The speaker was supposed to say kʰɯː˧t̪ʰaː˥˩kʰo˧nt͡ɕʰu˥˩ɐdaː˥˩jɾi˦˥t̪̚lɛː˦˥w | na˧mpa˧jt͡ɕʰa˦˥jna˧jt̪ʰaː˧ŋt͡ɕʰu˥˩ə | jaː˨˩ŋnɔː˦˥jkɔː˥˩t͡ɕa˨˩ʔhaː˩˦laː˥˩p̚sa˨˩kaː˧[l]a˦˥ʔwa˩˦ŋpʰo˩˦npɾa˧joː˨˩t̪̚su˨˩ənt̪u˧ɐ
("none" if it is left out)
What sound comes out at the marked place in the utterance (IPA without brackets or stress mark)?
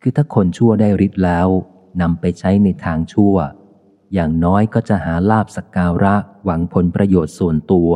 ɾ